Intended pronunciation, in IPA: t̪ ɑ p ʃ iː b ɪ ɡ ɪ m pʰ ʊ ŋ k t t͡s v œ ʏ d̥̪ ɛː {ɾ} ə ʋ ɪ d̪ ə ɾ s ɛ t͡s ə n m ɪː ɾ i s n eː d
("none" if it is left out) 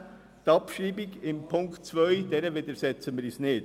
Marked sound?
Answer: ɾ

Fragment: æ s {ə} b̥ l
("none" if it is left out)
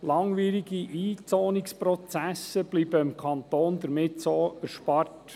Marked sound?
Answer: ə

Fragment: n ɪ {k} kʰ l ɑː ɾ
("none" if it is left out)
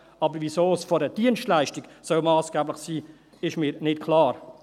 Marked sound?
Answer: t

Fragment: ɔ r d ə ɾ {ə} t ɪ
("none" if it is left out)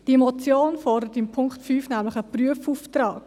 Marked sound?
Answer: ə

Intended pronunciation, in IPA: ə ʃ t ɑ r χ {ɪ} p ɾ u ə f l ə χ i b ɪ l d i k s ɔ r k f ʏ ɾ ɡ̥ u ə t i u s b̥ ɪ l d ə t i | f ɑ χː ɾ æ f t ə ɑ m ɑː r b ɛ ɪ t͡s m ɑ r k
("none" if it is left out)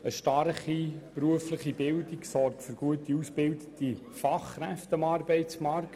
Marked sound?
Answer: i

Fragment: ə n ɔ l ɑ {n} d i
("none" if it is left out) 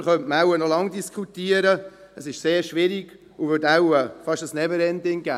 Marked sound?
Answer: ŋ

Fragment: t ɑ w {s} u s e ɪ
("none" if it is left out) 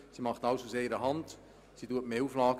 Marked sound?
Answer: s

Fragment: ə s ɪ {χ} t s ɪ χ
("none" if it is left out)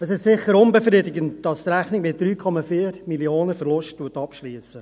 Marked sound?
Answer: ʃ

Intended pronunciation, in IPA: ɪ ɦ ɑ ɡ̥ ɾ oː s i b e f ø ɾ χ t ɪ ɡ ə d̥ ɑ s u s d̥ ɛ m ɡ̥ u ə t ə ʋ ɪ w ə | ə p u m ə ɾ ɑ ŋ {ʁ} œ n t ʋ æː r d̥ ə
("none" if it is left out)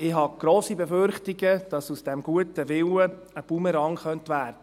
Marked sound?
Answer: χ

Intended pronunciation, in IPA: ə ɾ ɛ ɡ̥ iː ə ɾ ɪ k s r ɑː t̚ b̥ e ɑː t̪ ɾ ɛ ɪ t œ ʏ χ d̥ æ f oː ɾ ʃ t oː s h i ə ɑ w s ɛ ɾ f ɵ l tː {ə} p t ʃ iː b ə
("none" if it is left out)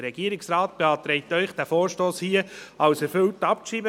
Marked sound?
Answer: ɑ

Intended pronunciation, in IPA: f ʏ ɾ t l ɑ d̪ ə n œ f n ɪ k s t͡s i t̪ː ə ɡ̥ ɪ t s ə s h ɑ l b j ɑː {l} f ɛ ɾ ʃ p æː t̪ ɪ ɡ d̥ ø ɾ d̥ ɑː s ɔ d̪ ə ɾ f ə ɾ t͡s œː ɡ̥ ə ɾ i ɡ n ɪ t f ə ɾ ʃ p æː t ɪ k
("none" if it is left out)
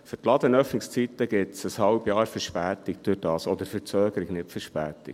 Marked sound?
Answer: ɾ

